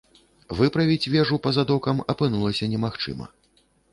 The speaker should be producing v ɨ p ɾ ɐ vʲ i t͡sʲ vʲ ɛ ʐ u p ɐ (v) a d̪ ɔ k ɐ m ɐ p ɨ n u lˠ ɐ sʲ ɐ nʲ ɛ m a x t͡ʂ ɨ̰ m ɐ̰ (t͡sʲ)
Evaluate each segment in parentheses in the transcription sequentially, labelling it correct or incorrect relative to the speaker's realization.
incorrect, incorrect

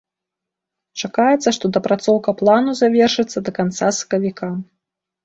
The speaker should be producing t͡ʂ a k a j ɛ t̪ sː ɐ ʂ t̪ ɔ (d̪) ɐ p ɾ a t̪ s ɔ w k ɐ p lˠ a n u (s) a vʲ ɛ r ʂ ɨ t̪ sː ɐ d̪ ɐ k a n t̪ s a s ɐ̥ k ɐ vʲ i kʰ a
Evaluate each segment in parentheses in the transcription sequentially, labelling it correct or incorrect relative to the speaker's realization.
correct, incorrect

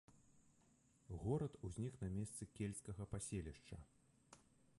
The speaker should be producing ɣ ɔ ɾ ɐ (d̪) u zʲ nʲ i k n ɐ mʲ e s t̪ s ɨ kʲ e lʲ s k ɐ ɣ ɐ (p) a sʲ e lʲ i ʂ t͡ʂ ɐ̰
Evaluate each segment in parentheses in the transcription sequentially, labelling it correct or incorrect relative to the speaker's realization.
incorrect, correct

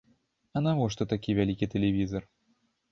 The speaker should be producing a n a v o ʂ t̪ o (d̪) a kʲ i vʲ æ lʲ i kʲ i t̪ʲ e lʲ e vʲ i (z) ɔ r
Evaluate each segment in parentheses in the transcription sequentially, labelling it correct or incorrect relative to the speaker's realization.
incorrect, correct

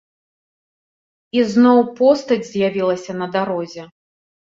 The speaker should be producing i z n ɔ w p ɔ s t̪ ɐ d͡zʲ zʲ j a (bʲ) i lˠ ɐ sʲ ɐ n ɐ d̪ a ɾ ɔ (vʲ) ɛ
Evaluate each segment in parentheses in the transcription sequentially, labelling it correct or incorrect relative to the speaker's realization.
incorrect, incorrect

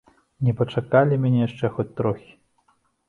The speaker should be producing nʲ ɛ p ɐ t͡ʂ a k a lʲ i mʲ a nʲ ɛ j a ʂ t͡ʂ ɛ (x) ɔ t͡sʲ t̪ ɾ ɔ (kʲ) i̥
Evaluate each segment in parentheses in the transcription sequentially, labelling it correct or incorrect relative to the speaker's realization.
correct, incorrect

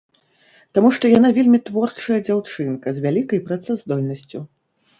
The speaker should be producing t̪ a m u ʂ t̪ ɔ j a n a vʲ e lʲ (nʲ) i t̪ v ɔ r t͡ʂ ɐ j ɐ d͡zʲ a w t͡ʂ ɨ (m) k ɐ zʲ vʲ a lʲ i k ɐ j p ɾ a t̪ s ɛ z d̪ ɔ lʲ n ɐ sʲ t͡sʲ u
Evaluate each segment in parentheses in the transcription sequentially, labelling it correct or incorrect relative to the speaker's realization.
incorrect, incorrect

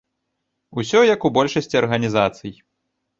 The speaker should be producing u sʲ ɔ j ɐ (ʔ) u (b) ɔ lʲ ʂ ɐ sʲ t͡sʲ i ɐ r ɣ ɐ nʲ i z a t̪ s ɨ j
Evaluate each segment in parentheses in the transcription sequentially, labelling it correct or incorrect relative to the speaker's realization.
incorrect, correct

